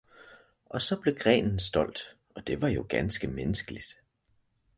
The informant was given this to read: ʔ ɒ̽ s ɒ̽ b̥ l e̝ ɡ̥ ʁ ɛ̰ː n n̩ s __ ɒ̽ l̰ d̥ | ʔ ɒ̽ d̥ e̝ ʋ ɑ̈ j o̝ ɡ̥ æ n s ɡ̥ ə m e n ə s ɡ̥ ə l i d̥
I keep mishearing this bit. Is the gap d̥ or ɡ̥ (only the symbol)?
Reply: d̥